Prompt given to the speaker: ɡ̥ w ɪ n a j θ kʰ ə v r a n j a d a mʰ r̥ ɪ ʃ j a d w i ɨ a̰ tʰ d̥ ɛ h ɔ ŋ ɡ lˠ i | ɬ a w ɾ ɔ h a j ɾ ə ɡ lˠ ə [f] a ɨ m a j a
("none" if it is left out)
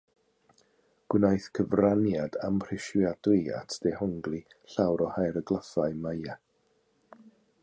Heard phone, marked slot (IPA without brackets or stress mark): f